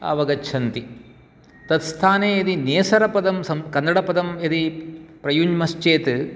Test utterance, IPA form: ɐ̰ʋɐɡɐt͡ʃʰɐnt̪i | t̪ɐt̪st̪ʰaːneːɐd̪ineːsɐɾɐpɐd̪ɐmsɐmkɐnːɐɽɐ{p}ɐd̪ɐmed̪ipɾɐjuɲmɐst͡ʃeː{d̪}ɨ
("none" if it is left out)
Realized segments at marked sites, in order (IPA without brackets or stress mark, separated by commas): p, t̪